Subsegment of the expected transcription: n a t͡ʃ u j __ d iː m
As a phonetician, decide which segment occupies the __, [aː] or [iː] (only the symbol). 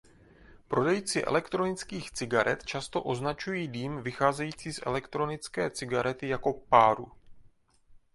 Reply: iː